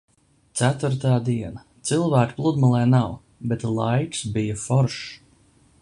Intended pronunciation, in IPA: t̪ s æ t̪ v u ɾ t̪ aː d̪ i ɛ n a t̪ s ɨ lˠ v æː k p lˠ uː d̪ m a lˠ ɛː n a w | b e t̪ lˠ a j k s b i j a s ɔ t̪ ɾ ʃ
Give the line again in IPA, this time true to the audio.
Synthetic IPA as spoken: t̪ s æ t̪ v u ɾ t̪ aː d̪ i ɛ n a t̪ s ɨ lˠ v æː k p lˠ u d̪ m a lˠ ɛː n a w | b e t̪ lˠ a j k s b i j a f ɔ ɾ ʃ